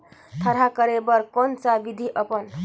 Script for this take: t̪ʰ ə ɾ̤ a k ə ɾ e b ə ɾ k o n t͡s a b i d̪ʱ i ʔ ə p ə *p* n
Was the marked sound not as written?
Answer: yes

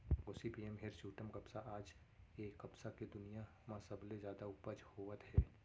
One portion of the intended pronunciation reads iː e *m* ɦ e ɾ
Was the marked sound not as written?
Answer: no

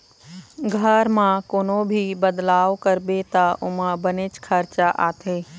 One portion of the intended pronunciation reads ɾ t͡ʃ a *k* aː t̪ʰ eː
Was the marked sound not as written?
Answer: yes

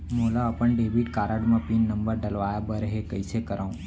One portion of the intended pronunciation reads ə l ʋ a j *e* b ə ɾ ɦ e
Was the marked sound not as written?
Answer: yes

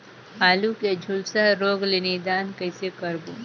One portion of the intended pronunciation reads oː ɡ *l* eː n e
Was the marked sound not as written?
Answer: no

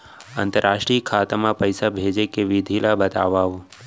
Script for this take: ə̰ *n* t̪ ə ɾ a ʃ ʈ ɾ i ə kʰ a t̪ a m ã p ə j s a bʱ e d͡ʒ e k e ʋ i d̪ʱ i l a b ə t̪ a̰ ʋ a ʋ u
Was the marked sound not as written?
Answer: no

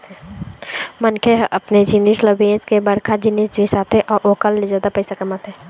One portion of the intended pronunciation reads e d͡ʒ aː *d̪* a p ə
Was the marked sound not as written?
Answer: no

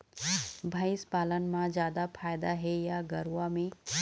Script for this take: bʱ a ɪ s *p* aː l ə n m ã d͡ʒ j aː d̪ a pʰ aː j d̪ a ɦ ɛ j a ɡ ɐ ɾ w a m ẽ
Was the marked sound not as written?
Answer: no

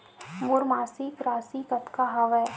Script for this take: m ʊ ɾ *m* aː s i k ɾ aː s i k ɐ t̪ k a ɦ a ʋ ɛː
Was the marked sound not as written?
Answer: no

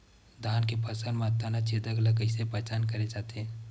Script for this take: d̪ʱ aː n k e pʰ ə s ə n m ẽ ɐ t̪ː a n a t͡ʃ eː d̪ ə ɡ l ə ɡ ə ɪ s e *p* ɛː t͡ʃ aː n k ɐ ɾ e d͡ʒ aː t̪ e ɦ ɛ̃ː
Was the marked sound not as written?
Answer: no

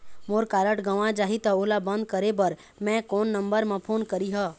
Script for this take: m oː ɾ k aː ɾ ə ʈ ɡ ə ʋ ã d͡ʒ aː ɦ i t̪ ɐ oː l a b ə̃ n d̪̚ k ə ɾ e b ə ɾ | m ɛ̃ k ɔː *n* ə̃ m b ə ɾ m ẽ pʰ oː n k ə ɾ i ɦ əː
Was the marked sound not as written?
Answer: yes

